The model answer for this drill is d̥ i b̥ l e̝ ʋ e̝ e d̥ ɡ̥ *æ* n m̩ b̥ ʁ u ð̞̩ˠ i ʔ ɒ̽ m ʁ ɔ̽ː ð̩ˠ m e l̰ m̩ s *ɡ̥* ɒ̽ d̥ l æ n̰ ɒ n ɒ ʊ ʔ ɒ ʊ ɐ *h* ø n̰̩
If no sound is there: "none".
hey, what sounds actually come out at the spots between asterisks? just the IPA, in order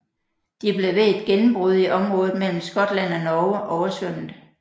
e, ɡ̥, s

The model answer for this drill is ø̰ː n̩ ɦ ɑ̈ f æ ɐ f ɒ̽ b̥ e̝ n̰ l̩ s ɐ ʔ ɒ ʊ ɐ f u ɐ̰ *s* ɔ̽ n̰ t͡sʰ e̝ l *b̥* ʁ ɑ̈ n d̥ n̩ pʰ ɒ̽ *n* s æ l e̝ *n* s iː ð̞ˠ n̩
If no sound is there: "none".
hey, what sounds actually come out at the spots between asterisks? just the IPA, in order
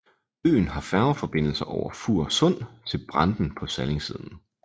s, b̥, none, ŋ

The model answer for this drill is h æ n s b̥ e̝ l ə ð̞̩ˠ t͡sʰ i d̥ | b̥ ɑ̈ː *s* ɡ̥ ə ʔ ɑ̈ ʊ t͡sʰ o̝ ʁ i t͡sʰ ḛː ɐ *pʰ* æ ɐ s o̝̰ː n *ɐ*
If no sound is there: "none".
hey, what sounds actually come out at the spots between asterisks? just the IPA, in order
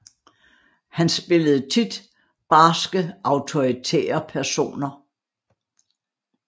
s, pʰ, ɐ

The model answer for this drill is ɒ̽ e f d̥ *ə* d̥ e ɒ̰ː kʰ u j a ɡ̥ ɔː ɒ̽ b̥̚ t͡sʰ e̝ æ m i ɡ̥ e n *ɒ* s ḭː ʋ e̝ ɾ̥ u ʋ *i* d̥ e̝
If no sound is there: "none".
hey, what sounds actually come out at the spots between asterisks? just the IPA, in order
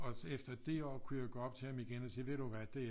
ɐ, ɒ, æ

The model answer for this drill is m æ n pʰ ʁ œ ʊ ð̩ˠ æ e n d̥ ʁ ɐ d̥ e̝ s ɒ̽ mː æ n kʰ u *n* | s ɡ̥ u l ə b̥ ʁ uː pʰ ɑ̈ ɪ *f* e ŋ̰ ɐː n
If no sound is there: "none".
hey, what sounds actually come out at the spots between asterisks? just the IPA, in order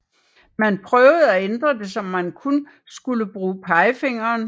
n, f

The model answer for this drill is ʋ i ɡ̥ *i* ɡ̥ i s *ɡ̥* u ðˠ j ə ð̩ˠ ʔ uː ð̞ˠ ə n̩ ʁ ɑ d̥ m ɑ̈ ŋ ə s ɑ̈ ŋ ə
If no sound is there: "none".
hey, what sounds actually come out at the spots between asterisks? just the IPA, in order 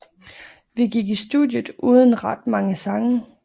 i, d̥

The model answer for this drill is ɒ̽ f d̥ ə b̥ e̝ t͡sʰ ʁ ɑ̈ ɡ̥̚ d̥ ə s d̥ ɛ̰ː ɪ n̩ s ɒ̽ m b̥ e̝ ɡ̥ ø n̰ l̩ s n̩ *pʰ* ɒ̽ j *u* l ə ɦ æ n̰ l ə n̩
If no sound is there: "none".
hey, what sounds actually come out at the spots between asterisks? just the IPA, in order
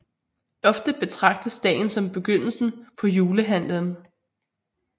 pʰ, uː

